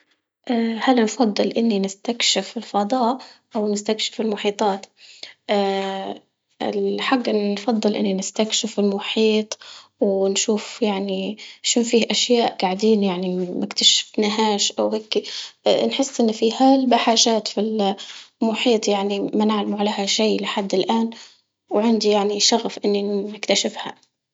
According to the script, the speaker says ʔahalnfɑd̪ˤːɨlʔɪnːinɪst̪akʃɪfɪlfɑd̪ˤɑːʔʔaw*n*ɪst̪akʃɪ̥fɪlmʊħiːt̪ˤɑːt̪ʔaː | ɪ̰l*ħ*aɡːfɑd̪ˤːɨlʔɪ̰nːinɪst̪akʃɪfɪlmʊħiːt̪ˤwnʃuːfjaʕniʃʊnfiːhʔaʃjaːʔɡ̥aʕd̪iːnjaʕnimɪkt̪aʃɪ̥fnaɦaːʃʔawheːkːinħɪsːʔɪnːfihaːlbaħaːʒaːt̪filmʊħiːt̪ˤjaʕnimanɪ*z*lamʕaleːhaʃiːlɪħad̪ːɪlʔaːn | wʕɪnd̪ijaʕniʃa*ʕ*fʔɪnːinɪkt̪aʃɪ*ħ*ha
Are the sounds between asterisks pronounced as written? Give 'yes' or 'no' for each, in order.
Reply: yes, yes, no, no, no

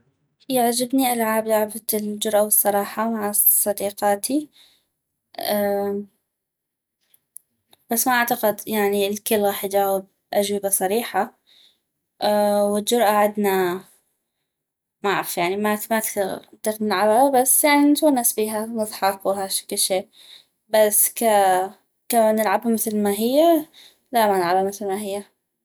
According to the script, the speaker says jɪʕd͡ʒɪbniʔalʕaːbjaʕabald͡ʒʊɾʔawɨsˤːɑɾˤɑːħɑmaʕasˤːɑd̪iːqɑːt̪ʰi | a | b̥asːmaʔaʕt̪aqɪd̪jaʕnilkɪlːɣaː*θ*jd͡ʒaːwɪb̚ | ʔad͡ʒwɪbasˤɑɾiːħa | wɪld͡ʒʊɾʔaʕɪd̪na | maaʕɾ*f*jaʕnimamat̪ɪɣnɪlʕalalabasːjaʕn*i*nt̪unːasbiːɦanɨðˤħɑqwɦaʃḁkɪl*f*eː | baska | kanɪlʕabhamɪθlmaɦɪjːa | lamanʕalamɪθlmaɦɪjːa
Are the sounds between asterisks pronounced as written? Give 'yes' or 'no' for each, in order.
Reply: no, yes, yes, no

